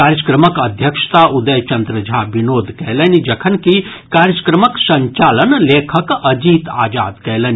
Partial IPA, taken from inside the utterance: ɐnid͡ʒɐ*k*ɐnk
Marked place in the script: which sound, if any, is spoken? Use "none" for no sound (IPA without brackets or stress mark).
kʰ